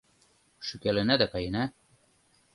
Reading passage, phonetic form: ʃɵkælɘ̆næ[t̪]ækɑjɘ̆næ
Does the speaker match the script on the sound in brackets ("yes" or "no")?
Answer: no